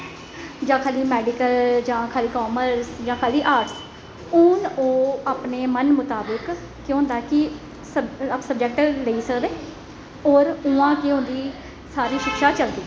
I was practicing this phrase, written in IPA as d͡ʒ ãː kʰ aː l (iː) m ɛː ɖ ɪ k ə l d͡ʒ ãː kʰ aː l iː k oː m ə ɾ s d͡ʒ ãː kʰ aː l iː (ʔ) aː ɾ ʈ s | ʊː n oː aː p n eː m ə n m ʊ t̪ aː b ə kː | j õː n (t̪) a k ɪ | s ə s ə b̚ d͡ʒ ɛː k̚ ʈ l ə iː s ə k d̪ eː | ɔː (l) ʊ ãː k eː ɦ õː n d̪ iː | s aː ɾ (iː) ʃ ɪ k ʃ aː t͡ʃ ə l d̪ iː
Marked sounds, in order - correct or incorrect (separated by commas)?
correct, correct, incorrect, incorrect, correct